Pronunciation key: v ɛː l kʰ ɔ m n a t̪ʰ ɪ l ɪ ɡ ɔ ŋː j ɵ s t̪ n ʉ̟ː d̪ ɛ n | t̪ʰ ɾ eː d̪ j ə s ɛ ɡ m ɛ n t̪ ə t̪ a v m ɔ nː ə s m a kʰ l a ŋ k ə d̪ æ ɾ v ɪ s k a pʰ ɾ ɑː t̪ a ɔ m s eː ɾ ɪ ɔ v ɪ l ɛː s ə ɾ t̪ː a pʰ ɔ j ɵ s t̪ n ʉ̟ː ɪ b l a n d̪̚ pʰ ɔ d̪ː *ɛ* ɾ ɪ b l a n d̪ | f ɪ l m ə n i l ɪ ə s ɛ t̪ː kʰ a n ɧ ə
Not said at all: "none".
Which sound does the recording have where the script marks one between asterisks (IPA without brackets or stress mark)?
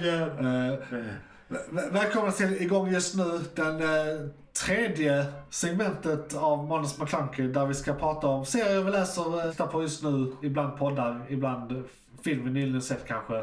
a